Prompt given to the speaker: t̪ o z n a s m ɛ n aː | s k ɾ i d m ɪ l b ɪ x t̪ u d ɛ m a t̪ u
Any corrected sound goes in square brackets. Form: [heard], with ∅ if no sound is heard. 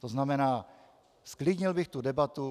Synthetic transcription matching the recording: t̪ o z n a [∅] m ɛ n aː | s k [l] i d [ɲ] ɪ l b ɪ x t̪ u d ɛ [b] a t̪ u